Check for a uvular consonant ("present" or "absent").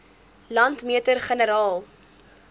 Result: present